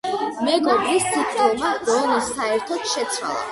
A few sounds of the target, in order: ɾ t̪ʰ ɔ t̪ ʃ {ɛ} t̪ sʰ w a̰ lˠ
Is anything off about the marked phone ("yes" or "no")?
no